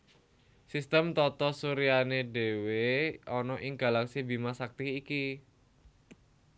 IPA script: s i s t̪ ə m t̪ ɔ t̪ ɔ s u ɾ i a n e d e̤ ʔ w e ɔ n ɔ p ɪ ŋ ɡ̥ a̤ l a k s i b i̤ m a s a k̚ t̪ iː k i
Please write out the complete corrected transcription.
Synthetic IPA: s i s t̪ ə m t̪ ɔ t̪ ɔ s u ɾ i a n e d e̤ w e ɔ n ɔ ʔ ɪ ŋ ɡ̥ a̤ l a k s i b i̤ m a s a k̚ t̪ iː k i